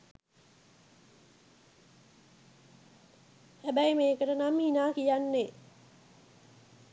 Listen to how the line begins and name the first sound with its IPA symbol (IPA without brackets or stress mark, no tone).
h